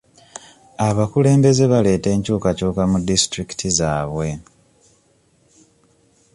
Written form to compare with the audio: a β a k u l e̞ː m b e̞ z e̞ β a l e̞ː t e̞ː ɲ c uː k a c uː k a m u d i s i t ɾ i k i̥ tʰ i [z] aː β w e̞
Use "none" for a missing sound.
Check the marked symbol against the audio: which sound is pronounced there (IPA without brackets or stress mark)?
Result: z